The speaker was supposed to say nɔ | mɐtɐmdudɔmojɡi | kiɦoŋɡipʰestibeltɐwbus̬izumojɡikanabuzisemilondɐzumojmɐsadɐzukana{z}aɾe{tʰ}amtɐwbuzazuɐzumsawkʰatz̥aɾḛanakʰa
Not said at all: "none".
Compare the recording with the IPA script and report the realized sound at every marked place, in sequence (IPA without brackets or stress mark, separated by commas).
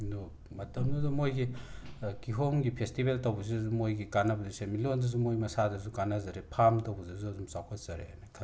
z, pʰ